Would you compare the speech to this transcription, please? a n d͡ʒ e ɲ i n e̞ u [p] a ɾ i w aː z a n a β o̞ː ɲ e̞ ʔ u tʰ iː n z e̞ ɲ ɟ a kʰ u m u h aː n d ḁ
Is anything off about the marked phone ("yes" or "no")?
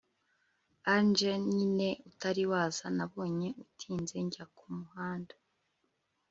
yes